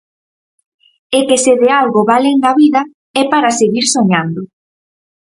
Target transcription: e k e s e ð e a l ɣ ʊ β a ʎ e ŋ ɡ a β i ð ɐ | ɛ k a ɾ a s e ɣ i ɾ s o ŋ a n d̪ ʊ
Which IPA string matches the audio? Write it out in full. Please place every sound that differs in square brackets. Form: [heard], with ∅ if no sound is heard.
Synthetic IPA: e k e s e ð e a l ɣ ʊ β a [l] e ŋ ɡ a β i ð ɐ | ɛ [p] a ɾ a s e ɣ i ɾ s o [ɲ] a n d̪ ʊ